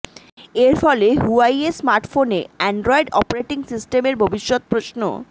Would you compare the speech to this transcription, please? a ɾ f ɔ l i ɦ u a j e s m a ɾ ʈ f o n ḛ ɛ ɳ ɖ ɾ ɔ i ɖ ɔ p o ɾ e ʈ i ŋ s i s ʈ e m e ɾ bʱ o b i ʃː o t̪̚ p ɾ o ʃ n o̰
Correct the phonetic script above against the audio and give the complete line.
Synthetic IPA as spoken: e ɾ f ɔ l e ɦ u a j e s m a ɾ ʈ f o n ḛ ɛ ɳ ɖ ɾ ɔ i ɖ ɔ p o ɾ e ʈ i ŋ s i s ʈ e m e ɾ bʱ o b i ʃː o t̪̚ p ɾ o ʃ n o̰